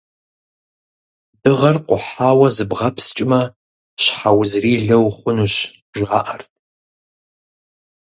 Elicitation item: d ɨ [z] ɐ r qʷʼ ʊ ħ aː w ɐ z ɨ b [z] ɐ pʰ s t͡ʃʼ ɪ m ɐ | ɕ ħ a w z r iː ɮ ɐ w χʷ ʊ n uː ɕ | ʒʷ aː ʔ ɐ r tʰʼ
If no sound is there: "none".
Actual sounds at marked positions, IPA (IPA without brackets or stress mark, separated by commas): ʁ, ʁ